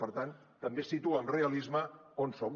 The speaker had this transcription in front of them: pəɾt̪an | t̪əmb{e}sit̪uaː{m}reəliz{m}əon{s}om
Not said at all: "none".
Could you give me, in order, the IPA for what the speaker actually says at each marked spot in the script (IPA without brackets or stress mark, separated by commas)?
e, m, m, s